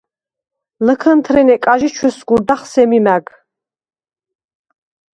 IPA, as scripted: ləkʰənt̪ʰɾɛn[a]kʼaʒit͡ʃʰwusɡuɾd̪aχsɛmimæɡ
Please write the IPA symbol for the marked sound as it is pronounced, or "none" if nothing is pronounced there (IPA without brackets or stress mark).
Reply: ɛ